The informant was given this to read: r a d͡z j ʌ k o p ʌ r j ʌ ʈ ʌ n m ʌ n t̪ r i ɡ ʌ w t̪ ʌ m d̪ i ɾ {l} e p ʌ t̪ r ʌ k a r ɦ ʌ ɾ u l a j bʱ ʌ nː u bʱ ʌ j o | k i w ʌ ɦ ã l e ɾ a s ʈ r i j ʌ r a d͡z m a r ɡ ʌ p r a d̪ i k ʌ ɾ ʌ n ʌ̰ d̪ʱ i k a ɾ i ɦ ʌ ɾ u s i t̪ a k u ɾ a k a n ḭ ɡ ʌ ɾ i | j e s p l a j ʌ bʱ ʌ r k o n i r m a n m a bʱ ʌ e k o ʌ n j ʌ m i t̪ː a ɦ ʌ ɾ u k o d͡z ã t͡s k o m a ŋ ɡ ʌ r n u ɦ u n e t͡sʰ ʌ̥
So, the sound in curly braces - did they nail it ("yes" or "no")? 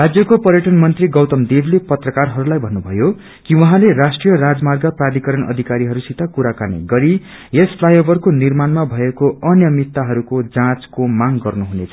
yes